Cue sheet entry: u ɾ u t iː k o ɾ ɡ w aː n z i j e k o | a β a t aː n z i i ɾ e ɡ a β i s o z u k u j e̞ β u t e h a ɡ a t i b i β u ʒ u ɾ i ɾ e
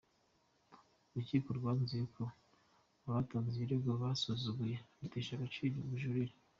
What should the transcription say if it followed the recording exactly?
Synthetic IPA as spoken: u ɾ u c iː k o ɾ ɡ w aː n z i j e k o | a β a t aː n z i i ɾ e ɡ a β a s o z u ɡ u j e̞ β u t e ʃ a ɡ a t͡ʃ i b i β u ʒ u ɾ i ɾ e